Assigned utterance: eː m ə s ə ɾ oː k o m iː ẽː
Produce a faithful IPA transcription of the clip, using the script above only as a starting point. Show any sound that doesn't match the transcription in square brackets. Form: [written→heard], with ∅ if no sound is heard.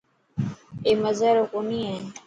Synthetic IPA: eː m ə [s→z] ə ɾ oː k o [m→n] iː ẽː